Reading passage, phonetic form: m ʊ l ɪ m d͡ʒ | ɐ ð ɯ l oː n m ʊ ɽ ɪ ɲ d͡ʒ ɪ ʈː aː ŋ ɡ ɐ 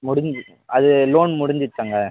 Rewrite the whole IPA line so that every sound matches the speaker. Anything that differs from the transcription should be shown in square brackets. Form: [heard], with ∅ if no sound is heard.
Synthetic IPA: m ʊ [ɽ] ɪ [ɲ] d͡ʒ | ɐ ð ɯ l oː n m ʊ ɽ ɪ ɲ d͡ʒ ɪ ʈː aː ŋ ɡ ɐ